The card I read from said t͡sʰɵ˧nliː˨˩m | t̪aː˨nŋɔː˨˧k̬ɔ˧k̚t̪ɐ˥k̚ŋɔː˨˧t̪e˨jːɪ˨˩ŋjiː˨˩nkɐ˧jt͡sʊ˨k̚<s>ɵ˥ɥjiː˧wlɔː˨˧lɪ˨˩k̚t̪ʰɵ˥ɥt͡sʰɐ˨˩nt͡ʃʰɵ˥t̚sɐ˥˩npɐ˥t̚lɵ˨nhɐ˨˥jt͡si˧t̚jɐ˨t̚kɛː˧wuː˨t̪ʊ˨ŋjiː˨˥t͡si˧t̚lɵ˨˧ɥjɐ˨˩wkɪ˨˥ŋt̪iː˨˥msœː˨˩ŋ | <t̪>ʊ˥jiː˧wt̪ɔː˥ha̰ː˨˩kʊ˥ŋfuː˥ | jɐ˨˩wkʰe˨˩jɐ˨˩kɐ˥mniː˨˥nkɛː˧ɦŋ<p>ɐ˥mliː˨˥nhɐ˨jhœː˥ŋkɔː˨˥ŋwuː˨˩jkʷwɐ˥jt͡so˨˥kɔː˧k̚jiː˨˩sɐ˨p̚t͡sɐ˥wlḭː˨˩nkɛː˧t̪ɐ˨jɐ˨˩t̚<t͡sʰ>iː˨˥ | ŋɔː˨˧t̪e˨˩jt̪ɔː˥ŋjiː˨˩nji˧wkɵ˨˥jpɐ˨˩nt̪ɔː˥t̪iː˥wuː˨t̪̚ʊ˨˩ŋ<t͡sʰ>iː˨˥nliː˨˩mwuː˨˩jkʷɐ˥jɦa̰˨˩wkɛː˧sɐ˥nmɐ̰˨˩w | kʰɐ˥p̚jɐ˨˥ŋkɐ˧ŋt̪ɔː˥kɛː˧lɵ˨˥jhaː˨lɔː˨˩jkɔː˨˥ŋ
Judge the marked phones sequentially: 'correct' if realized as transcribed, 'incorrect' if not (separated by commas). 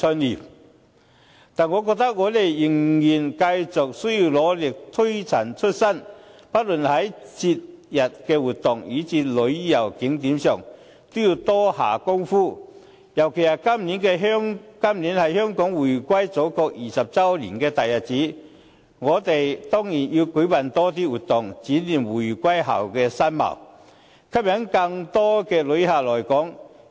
correct, correct, incorrect, incorrect, incorrect